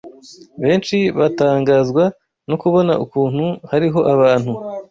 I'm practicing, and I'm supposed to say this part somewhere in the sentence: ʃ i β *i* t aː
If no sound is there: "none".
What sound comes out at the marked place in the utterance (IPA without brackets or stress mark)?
a